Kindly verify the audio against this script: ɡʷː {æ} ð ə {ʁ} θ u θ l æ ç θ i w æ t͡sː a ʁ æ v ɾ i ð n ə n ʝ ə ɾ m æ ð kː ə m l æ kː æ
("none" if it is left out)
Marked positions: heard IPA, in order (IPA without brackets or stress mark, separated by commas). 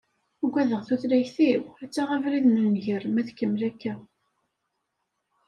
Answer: æ, ʁ